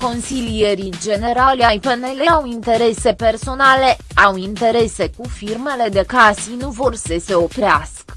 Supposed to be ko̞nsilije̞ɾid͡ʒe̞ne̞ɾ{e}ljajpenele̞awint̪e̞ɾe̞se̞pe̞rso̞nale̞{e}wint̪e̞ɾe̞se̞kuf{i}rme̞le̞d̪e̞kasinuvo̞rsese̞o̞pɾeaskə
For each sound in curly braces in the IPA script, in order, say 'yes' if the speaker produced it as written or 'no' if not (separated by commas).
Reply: no, no, yes